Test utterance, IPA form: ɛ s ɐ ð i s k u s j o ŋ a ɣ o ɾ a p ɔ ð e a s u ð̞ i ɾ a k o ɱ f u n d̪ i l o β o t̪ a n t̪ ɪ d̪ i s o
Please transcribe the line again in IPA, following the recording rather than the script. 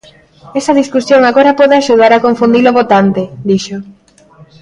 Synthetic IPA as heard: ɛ s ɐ ð i s k u s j o ŋ a ɣ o ɾ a p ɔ ð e a ʃ u ð̞ a ɾ a k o ɱ f u n d̪ i l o β o t̪ a n t̪ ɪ d̪ i ʃ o

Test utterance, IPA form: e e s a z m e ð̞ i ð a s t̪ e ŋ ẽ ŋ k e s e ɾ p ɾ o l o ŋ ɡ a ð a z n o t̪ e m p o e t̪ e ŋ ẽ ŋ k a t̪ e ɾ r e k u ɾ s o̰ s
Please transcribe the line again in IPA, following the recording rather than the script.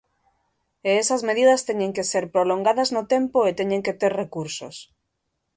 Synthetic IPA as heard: e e s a z m e ð̞ i ð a s t̪ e ɲ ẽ ŋ k e s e ɾ p ɾ o l o ŋ ɡ a ð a z n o t̪ e m p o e t̪ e ɲ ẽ ŋ k e t̪ e ɾ r e k u ɾ s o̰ s

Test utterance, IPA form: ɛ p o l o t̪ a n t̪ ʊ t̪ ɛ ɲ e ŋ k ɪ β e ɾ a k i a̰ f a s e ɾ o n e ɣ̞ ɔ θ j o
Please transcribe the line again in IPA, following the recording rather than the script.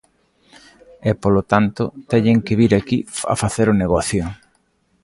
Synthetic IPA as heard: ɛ p o l o t̪ a n t̪ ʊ t̪ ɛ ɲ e ŋ k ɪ β i ɾ a k i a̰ f a θ e ɾ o n e ɣ̞ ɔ θ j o

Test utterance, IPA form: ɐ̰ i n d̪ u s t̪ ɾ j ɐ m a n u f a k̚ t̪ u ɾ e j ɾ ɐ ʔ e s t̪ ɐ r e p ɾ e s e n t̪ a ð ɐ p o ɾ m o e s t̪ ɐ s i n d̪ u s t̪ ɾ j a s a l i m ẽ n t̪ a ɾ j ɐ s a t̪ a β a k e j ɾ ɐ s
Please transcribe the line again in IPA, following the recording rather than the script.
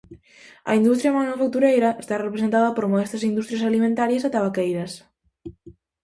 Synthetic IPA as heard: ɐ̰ i n d̪ u s t̪ ɾ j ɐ m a n u f a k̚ t̪ u ɾ e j ɾ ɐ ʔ e s t̪ a r e p ɾ e s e n t̪ a ð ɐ p o ɾ m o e s t̪ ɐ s i n d̪ u s t̪ ɾ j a s a l i m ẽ n t̪ a ɾ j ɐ s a t̪ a β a k e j ɾ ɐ s

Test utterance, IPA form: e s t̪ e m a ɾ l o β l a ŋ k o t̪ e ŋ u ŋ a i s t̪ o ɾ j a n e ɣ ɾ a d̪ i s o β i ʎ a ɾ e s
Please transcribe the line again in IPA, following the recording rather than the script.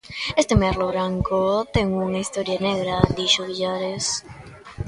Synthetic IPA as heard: e s t̪ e m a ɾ l o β ɾ a ŋ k o t̪ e ŋ u ŋ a i s t̪ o ɾ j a n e ɣ ɾ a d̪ i ʃ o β i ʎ a ɾ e s

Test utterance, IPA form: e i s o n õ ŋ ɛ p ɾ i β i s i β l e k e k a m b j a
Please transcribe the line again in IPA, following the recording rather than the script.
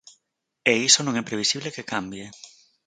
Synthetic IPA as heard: e i s o n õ ŋ ɛ p ɾ e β i s i β l e k e k a m b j e

